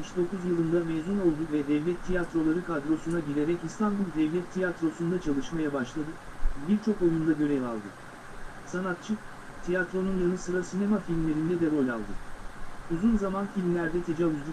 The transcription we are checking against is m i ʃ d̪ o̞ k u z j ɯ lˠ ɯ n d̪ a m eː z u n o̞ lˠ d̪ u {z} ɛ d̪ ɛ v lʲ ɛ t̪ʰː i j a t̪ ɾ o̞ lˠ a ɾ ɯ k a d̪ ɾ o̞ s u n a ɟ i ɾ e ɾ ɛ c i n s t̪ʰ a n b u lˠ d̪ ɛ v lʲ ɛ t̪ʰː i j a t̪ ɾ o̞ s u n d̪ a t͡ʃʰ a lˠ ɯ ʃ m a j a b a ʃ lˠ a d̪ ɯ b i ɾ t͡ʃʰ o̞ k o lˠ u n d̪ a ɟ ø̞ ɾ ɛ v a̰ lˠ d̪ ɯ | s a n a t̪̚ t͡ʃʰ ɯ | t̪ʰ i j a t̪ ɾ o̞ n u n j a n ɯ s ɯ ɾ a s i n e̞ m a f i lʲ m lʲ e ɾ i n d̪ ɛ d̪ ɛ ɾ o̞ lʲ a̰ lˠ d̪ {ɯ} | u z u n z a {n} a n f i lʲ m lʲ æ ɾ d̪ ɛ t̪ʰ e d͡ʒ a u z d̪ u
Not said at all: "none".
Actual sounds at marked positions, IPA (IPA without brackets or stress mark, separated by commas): v, ɯ, m